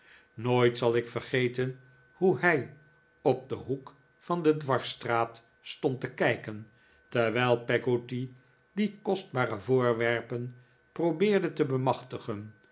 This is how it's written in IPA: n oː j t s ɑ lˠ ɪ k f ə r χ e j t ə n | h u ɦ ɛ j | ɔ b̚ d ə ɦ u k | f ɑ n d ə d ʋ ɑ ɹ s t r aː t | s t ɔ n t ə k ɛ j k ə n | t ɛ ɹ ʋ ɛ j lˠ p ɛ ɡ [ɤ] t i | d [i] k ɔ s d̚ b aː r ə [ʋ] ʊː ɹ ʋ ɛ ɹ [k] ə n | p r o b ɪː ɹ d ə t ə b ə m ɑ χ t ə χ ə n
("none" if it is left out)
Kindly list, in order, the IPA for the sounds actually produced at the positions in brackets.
o, i, v, p

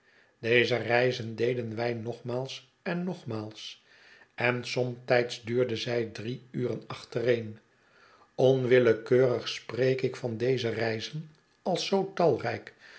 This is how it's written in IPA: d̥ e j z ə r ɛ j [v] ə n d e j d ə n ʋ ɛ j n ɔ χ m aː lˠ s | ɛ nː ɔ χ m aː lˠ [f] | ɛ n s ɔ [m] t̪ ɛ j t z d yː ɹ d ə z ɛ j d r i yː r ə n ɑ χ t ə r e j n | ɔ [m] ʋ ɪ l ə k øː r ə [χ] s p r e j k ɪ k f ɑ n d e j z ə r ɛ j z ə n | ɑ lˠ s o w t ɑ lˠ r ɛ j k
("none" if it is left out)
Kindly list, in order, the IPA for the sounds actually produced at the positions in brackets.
z, s, m, n, χ

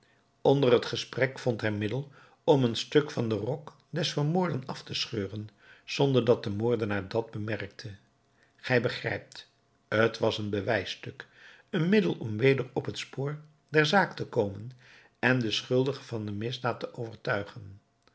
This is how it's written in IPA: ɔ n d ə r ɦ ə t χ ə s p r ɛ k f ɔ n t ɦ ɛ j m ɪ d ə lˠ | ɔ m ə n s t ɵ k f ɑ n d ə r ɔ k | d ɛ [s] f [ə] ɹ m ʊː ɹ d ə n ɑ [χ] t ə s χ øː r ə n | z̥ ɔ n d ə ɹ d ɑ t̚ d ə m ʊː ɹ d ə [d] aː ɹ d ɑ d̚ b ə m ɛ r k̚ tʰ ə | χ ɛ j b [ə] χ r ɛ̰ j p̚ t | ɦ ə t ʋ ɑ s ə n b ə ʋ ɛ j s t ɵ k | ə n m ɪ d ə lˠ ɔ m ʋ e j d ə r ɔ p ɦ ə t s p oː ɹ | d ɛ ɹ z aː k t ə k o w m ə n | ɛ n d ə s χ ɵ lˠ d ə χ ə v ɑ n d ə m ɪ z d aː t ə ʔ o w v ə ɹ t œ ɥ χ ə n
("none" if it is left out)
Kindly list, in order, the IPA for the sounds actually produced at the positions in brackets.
s, ə, f, n, ə

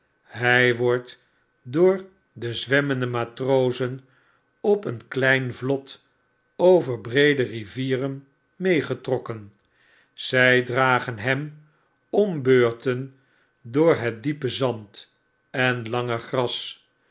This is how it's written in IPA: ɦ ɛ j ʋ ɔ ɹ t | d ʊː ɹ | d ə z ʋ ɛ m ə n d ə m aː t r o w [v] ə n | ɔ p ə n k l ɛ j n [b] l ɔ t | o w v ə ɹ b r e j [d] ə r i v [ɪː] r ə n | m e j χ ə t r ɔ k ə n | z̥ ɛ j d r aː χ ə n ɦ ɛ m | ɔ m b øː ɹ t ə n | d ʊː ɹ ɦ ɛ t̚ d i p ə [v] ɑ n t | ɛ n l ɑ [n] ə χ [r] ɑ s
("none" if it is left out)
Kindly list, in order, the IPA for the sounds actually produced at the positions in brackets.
z, v, d, iː, z, ŋ, r

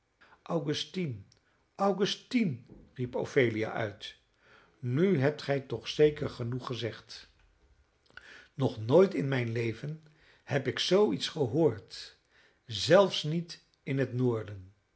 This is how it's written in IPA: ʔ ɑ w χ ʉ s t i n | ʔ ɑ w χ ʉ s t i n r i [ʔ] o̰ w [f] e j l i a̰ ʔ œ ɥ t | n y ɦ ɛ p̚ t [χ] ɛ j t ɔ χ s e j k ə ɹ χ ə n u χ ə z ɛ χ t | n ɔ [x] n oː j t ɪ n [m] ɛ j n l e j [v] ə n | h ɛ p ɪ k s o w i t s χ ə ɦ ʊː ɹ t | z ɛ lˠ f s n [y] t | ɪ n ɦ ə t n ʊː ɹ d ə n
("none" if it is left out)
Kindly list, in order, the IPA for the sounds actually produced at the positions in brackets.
p, f, χ, χ, m, v, i

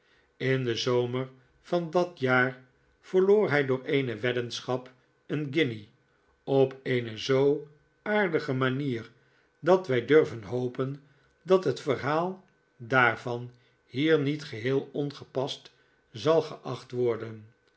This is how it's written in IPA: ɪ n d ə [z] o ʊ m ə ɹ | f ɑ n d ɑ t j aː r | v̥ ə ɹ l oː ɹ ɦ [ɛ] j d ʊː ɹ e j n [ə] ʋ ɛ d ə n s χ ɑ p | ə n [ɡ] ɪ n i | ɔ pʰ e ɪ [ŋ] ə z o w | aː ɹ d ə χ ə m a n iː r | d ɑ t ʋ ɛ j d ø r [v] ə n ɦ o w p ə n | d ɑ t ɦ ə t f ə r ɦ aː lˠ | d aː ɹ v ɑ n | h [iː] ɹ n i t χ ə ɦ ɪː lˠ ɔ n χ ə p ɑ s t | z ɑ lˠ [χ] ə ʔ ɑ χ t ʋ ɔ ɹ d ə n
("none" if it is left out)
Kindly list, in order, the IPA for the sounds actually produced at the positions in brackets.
z, ɛ, ə, ɡ, n, v, iː, χ

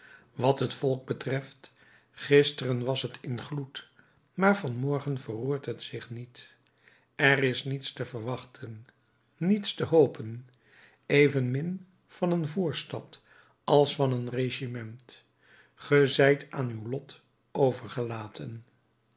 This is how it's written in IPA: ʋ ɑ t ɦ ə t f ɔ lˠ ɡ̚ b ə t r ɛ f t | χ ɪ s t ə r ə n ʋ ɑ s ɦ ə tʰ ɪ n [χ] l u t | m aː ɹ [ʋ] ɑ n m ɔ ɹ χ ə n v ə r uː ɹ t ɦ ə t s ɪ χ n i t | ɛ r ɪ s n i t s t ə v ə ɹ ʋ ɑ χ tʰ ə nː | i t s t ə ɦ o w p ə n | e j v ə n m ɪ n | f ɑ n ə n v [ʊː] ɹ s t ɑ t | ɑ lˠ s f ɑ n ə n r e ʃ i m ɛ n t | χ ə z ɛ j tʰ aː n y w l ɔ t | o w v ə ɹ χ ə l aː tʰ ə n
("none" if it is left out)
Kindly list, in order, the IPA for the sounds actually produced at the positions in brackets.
χ, v, uː

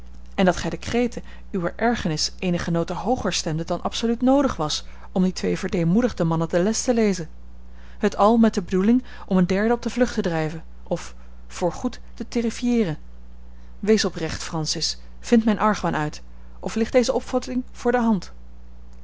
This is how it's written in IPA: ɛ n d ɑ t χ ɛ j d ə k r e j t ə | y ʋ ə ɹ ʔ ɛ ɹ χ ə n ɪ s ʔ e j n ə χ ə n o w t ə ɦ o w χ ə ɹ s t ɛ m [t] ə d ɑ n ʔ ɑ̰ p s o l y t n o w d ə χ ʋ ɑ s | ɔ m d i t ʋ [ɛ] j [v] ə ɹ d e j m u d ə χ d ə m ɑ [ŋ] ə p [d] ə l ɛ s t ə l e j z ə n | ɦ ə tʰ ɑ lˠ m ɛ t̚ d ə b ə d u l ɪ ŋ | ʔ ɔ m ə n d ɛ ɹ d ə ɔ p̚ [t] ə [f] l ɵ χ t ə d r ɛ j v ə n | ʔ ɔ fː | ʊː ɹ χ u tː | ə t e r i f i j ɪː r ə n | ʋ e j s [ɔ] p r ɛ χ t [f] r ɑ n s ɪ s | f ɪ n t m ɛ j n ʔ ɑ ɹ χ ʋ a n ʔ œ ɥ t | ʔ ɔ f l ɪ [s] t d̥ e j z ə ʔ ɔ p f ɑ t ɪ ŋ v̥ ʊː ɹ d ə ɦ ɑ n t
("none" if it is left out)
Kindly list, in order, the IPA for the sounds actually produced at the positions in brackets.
d, e, v, n, d, d, v, ɔ, f, χ

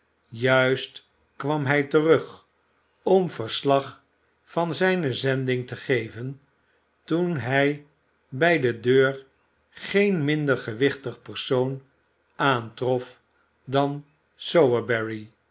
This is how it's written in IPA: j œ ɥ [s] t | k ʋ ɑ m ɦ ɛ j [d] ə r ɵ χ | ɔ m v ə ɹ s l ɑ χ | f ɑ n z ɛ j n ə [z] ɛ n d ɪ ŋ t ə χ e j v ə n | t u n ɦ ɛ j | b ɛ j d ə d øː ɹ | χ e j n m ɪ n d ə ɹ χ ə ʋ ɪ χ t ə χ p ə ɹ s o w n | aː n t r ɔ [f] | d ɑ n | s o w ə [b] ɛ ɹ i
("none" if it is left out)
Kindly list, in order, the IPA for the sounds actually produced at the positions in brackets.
s, t, z, f, b

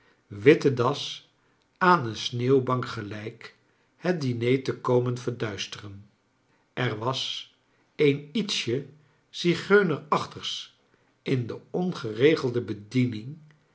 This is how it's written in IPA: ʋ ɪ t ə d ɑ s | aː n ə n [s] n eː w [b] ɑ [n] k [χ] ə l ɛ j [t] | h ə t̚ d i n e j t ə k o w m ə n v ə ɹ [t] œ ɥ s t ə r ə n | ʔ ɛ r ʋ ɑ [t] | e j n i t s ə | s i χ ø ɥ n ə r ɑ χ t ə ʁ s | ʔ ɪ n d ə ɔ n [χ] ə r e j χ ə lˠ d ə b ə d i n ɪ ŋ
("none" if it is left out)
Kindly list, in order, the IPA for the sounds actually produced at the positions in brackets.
s, b, ŋ, χ, k, d, s, χ

